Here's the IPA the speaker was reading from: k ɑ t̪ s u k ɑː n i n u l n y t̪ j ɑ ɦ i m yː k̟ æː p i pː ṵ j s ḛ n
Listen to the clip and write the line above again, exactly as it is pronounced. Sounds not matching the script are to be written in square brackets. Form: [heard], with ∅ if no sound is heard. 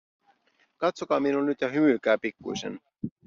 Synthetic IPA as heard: k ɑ t̪ s [o] k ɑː [m] i n u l n y t̪ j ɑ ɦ [y] m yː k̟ æː p i [kː] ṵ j s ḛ n